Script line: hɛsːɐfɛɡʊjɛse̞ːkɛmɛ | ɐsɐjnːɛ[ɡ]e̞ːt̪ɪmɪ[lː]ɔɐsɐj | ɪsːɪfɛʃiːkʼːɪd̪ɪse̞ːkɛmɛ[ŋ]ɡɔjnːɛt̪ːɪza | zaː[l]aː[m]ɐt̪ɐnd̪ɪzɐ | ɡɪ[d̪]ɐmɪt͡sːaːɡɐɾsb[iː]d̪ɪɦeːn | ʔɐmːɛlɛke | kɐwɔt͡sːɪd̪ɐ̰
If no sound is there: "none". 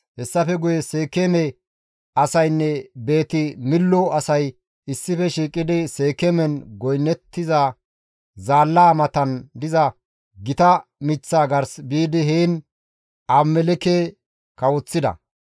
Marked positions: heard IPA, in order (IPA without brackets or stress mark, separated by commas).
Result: b, lː, n, lː, m, t̪, iː